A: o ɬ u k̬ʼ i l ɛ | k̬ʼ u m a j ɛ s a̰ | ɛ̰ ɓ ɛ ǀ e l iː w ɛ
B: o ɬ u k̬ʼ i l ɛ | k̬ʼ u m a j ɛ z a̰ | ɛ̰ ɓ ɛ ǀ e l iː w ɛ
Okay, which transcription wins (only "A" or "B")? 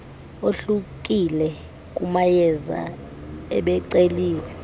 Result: B